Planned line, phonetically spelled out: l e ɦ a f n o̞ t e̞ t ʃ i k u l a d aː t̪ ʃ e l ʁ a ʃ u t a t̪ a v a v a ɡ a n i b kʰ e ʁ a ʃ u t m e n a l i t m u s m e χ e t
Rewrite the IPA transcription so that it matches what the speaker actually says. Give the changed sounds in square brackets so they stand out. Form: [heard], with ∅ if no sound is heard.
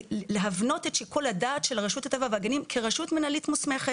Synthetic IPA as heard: l e ɦ a [v] n o̞ t e̞ t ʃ i k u l a d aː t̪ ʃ e l ʁ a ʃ u t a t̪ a v a v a ɡ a n i [m] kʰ e ʁ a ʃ u t m e n a l i t m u s m e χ e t